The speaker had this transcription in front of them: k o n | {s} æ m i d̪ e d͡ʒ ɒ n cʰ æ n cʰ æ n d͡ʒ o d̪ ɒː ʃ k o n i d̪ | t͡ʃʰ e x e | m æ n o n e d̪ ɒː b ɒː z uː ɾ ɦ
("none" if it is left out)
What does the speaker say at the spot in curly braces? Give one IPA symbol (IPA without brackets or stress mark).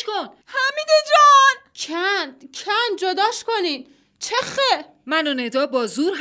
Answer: h